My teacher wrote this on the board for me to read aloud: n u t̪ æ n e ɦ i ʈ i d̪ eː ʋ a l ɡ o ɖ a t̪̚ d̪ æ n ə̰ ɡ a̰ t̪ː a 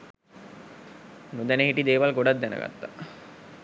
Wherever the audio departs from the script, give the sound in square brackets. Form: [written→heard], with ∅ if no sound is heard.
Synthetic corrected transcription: n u [t̪→d̪] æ n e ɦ i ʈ i d̪ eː ʋ a l ɡ o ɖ a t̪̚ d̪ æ n ə̰ ɡ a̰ t̪ː a

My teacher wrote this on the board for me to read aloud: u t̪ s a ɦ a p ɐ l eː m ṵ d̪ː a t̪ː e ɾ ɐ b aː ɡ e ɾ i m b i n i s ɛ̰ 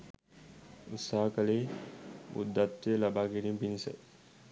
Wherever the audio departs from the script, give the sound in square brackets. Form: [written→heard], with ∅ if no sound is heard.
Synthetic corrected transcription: u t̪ s a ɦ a [p→k] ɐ l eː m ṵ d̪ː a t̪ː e [ɾ→l] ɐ b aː ɡ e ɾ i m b i n i s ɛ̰

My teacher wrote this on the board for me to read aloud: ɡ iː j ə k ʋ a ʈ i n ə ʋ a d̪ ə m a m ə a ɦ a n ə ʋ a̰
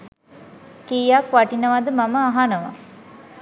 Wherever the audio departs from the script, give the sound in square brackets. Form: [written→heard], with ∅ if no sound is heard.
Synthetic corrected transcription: [ɡ→k] iː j [ə→a] k ʋ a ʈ i n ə ʋ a d̪ ə m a m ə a ɦ a n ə ʋ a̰

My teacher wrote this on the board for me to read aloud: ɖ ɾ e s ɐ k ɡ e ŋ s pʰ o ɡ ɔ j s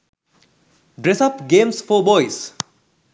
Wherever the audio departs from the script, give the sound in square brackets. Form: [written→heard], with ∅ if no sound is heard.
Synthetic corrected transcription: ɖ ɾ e s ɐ [k→p] ɡ e [ŋ→m] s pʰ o [ɡ→b] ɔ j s

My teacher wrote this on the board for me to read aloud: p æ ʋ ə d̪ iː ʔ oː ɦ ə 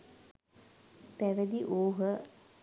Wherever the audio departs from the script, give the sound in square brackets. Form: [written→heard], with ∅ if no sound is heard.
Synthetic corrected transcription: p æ ʋ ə d̪ [iː→i] ʔ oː ɦ ə

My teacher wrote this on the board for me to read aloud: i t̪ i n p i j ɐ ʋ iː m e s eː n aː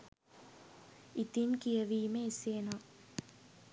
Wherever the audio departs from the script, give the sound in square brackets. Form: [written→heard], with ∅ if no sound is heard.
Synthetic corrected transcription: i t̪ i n [p→k] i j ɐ ʋ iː m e s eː n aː

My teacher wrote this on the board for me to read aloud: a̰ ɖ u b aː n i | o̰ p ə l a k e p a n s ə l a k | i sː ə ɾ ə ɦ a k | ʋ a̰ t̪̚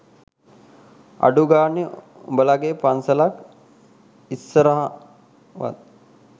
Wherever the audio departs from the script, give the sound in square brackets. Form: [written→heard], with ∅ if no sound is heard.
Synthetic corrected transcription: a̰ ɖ u [b→ɡ] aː n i | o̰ [p→b] ə l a [k→ɡ] e p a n s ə l a k | i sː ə ɾ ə ɦ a [k→∅] | ʋ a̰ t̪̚

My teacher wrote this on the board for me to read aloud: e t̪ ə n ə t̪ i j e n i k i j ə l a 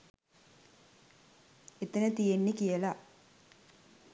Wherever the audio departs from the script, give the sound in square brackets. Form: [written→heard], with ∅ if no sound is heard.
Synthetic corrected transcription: e t̪ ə n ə t̪ i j e [n→nː] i k i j ə l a

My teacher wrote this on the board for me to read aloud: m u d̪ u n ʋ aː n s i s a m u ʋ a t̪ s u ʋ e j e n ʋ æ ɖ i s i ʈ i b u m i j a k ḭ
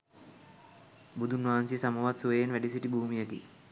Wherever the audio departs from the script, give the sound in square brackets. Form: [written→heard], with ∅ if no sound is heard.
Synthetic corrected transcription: [m→b] u d̪ u n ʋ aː n s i s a m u ʋ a t̪ s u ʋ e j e n ʋ æ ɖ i s i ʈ i b [u→uː] m i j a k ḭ

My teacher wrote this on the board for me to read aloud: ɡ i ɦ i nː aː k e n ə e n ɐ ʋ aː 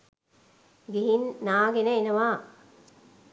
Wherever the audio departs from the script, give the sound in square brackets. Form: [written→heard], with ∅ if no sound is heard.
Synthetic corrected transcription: ɡ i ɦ i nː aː [k→ɡ] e n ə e n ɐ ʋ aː

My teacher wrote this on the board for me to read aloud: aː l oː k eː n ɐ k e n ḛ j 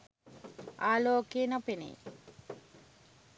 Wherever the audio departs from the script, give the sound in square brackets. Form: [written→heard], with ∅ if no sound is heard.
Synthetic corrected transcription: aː l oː k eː n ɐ [k→p] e n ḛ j

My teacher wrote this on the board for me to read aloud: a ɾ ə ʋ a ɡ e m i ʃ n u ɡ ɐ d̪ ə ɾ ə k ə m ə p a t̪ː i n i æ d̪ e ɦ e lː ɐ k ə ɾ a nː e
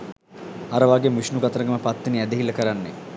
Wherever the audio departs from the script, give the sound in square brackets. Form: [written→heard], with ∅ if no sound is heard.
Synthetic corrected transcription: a ɾ ə ʋ a ɡ e m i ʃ n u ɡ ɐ [d̪→t̪] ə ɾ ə [k→ɡ] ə m ə p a t̪ː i n i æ d̪ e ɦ [e→i] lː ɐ k ə ɾ a nː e

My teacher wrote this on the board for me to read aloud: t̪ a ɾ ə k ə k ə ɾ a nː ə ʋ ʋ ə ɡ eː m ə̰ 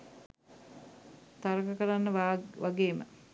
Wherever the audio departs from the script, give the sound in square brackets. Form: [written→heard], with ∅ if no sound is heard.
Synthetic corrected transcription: t̪ a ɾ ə k ə k ə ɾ a nː ə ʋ ʋ [ə→a] ɡ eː m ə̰

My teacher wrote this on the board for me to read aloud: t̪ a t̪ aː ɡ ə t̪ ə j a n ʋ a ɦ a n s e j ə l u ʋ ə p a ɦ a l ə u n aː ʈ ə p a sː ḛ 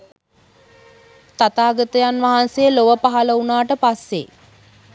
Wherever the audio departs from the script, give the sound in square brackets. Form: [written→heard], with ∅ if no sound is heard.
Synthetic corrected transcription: t̪ a t̪ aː ɡ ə t̪ ə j a n ʋ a ɦ a n s e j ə l [u→o] ʋ ə p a ɦ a l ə u n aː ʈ ə p a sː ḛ

